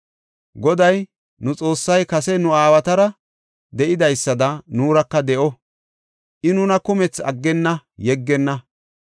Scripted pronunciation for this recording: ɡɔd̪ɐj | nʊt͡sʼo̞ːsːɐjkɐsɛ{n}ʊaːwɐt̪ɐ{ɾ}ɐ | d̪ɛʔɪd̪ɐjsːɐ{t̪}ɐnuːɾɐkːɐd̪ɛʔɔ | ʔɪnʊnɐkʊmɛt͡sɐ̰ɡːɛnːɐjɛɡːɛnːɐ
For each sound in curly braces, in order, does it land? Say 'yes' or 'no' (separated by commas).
yes, yes, no